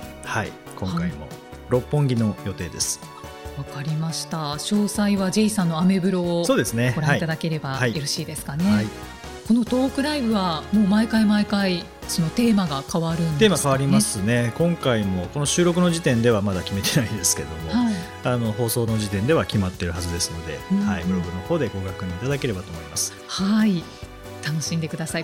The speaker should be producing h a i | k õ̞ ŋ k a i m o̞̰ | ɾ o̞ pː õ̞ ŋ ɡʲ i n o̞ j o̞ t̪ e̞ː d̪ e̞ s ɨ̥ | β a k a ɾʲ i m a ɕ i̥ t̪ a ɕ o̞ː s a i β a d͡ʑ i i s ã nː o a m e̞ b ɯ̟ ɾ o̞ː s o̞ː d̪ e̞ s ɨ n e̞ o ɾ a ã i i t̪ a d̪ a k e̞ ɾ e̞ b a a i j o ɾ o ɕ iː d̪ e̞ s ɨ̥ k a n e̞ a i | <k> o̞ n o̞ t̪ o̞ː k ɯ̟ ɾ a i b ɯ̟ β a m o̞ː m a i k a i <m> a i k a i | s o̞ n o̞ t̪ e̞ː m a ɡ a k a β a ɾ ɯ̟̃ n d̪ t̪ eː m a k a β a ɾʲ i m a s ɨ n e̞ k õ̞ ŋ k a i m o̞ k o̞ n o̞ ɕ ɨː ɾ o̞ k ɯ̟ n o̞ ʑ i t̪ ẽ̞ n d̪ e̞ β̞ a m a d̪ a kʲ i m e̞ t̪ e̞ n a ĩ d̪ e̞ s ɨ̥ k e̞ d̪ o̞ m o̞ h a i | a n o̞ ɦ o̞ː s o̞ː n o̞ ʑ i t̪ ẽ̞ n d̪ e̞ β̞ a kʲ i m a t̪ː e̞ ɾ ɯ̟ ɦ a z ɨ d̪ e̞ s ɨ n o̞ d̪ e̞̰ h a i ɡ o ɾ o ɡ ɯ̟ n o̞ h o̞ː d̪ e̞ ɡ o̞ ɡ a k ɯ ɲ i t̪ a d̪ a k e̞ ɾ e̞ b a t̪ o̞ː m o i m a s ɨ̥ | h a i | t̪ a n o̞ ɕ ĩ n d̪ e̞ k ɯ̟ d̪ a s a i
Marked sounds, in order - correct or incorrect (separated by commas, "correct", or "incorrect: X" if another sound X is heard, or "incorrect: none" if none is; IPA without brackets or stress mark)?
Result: correct, correct